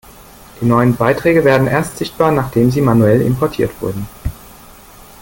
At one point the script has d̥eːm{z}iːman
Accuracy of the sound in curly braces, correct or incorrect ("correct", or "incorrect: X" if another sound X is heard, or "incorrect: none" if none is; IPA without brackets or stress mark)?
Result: correct